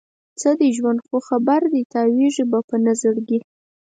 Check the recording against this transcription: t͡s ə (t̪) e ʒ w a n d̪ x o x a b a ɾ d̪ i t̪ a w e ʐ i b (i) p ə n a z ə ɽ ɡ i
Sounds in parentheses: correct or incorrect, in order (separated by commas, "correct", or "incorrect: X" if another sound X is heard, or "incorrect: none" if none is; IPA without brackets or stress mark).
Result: incorrect: d̪, incorrect: a